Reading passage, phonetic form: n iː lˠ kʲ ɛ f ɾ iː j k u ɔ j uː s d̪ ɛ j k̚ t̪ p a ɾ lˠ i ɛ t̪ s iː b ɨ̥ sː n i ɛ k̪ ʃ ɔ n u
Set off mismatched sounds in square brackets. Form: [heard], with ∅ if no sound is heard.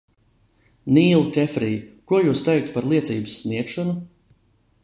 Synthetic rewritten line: n iː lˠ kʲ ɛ f ɾ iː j k u ɔ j uː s [t̪] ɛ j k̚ t̪ p a ɾ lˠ i ɛ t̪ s iː b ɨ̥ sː n i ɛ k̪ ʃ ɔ n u